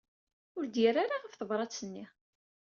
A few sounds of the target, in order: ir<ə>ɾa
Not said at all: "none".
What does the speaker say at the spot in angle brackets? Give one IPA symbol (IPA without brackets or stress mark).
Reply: a